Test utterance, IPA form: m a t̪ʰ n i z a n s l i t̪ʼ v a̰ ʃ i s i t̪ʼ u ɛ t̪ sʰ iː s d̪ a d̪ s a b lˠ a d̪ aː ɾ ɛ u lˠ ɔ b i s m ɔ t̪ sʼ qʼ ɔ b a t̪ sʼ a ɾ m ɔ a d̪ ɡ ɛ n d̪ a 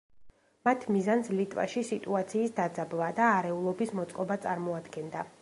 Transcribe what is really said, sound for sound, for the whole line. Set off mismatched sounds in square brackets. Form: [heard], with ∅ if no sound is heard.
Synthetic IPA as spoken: m a t̪ʰ [m] i z a n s l i t̪ʼ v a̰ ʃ i s i t̪ʼ u [a] t̪ sʰ iː s d̪ a d̪ [z] a b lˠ a d̪ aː ɾ ɛ u lˠ ɔ b i s m ɔ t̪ sʼ qʼ ɔ b a t̪ sʼ a ɾ m ɔ a d̪ ɡ ɛ n d̪ a